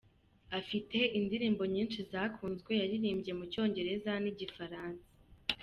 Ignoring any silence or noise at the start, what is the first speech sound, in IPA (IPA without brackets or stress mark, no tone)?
a